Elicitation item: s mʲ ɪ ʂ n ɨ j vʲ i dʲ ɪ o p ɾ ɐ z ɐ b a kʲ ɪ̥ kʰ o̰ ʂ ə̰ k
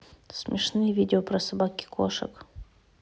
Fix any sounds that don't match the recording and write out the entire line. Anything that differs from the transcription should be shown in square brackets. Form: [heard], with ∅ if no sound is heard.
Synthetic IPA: s mʲ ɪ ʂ n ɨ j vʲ i dʲ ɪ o p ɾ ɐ [s] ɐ b a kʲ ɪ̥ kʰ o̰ ʂ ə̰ k

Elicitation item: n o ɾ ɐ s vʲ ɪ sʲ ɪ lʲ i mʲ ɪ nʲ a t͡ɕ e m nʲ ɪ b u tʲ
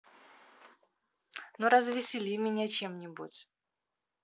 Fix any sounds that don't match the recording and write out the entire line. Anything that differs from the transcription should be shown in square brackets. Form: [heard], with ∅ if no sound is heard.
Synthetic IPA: n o ɾ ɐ [z] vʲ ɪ sʲ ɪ lʲ i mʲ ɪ nʲ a t͡ɕ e m nʲ ɪ b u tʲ

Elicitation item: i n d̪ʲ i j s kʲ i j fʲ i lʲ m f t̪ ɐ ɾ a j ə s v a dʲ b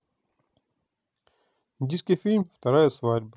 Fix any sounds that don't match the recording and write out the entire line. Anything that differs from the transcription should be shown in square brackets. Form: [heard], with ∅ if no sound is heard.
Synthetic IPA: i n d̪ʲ i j s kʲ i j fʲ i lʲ m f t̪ ɐ ɾ a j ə s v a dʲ b

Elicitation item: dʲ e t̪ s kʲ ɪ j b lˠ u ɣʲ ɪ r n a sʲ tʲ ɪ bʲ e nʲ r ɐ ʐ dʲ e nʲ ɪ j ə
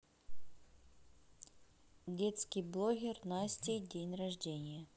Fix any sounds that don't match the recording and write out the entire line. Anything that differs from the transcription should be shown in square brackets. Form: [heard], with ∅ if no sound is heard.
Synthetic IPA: dʲ e t̪ s kʲ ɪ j b lˠ [o] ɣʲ ɪ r n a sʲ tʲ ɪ [dʲ] e nʲ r ɐ ʐ dʲ e nʲ ɪ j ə

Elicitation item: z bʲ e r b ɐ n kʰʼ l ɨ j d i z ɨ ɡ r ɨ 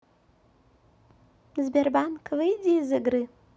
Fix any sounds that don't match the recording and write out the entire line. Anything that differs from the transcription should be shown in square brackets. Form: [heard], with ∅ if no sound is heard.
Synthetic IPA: z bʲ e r b [a] n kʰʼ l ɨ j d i z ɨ ɡ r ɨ

